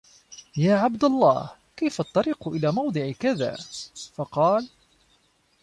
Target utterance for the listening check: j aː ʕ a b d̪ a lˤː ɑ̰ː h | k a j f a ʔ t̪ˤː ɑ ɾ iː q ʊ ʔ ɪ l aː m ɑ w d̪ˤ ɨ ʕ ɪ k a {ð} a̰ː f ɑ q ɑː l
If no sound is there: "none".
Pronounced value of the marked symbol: ð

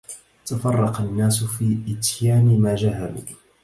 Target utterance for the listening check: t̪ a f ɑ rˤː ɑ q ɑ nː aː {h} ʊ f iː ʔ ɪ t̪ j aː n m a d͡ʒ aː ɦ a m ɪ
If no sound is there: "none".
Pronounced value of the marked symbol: s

